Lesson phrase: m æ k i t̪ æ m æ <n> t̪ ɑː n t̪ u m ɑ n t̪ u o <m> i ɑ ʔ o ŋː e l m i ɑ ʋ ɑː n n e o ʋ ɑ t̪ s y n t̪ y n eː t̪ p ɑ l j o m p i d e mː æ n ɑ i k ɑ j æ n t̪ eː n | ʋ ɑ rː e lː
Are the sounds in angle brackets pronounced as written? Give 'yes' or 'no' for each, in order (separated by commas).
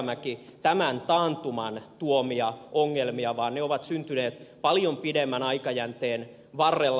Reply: yes, yes